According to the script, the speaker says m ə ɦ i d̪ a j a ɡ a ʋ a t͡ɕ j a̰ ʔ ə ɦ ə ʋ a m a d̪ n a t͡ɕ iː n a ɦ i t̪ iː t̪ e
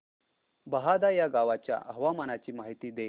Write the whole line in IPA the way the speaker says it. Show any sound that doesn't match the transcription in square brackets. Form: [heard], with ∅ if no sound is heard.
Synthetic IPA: [b] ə ɦ [a] d̪ a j a ɡ a ʋ a t͡ɕ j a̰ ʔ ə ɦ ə ʋ a m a [∅] n a t͡ɕ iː [m] a ɦ i t̪ iː [d̪] e